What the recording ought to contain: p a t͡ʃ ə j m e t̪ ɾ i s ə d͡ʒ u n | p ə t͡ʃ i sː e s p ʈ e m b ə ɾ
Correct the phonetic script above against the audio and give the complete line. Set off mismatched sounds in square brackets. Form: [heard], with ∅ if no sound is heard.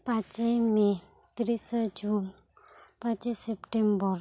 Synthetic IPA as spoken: p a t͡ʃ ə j m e t̪ ɾ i s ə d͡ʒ u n | p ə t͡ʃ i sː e [∅] p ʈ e m b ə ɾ